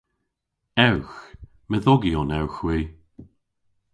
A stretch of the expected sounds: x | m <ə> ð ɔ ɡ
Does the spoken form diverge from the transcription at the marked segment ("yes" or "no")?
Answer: no